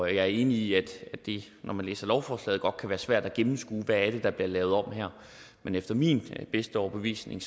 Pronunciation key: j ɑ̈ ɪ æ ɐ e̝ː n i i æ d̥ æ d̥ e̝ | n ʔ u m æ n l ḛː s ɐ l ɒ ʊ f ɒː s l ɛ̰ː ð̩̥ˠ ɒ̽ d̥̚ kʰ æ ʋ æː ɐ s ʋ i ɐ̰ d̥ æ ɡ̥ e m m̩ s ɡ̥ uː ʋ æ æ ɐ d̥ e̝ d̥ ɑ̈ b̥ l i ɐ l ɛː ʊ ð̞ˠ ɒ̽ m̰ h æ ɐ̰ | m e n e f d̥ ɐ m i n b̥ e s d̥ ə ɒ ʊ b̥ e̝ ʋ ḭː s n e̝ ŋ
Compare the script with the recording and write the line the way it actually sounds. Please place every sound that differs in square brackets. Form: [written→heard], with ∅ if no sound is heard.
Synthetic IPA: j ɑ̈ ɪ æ ɐ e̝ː n i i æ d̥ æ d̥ e̝ | n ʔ [u→ɒ] m æ n l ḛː s ɐ l ɒ ʊ f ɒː s l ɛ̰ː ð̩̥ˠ ɒ̽ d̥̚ kʰ æ ʋ æː ɐ s ʋ [i→æ] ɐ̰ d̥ æ ɡ̥ e m m̩ s ɡ̥ uː ʋ æ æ ɐ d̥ e̝ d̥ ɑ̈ b̥ l i ɐ l ɛː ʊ ð̞ˠ ɒ̽ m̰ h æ ɐ̰ | m e n e f d̥ ɐ m i n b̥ e s d̥ ə ɒ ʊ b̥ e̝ ʋ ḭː s n e̝ ŋ

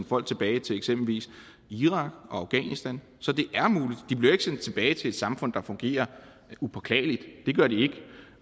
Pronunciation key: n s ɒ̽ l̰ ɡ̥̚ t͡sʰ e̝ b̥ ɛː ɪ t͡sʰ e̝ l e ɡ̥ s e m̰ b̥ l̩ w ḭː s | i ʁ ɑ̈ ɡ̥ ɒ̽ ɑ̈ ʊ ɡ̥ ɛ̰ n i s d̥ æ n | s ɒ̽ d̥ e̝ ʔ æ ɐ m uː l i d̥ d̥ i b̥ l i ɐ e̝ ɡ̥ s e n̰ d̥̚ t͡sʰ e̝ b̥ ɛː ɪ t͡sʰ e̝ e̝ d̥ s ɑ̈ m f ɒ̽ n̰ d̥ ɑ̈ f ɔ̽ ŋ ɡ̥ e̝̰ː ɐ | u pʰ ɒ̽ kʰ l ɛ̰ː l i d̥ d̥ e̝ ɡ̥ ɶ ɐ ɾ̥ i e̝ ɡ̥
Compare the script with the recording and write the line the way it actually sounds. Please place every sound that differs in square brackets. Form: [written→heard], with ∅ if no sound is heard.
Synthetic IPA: n [s→f] ɒ̽ l̰ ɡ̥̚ t͡sʰ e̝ b̥ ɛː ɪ t͡sʰ e̝ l e ɡ̥ s e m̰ b̥ l̩ [w→ʋ] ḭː s | i ʁ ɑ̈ ɡ̥ ɒ̽ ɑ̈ ʊ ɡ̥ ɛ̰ n i s d̥ æ n | s ɒ̽ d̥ e̝ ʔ æ ɐ m uː l i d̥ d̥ i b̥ l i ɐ e̝ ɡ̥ s e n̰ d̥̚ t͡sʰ e̝ b̥ ɛː ɪ t͡sʰ e̝ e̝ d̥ s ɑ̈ m f [ɒ̽→ɔ̽] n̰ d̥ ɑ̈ f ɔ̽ ŋ ɡ̥ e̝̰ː ɐ | u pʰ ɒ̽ kʰ l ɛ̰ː l i d̥ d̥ e̝ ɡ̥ ɶ ɐ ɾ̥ i e̝ ɡ̥

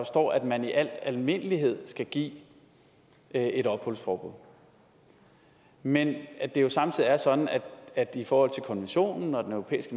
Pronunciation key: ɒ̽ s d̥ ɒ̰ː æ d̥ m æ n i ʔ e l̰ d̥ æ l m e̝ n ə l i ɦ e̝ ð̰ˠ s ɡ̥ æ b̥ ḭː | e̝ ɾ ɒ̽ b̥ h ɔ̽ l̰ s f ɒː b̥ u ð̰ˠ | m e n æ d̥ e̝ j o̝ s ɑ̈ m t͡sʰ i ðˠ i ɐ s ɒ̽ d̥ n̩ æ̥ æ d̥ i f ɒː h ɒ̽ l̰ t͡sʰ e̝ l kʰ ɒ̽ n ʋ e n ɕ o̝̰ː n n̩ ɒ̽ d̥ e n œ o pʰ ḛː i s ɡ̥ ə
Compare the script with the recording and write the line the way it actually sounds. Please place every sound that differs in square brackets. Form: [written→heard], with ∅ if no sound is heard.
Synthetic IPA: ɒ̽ s d̥ ɒ̰ː æ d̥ m æ n i ʔ [e→æ] l̰ d̥ æ l m e̝ n ə l i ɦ e̝ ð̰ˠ s ɡ̥ æ [b̥→ɡ̥] ḭː | e̝ ɾ ɒ̽ b̥ h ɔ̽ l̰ s f ɒː b̥ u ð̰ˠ | m e n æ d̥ e̝ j o̝ s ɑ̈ m t͡sʰ i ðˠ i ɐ s ɒ̽ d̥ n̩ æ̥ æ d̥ i f ɒː h ɒ̽ l̰ t͡sʰ e̝ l kʰ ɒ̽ n ʋ e n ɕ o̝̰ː n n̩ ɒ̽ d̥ e n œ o pʰ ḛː i s ɡ̥ ə

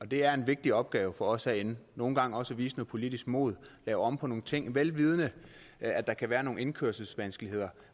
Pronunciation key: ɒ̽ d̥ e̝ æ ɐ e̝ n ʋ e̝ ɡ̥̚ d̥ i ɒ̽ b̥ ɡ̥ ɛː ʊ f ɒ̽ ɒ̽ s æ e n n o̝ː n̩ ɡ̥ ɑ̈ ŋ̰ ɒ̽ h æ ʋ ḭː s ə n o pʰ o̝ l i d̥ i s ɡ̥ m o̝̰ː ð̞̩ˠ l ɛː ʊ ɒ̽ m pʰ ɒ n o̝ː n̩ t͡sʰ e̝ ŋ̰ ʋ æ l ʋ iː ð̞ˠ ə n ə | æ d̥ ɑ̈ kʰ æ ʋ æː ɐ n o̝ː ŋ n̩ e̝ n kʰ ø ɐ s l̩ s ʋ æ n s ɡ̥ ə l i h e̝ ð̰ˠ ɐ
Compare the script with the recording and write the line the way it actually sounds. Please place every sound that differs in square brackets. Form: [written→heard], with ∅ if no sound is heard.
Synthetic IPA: ɒ̽ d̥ e̝ æ ɐ e̝ n ʋ e̝ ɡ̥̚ d̥ i ɒ̽ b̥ ɡ̥ ɛː ʊ f ɒ̽ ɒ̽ s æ e n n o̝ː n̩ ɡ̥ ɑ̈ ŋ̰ ɒ̽ [h→s] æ ʋ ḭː s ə n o pʰ o̝ l i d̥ i s ɡ̥ m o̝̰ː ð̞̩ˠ l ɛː ʊ ɒ̽ m pʰ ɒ n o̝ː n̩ t͡sʰ e̝ ŋ̰ ʋ [æ→e] l ʋ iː ð̞ˠ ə n ə | æ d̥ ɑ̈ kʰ æ ʋ æː ɐ n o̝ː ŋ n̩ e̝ n kʰ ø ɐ s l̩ s ʋ æ n s ɡ̥ ə l i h e̝ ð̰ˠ ɐ

